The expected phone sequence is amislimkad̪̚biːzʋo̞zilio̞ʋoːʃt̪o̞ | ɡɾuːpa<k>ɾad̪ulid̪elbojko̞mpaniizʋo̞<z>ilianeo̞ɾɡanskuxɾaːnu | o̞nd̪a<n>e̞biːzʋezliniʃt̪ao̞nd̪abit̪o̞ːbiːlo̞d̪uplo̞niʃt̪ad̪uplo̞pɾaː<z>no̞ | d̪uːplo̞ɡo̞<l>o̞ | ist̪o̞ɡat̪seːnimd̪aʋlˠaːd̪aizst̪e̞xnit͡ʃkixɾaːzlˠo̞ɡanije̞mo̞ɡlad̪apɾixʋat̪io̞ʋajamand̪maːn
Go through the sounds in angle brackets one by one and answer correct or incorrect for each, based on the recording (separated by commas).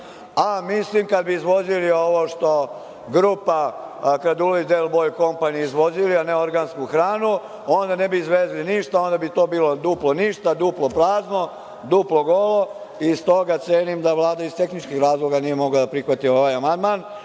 correct, correct, correct, correct, correct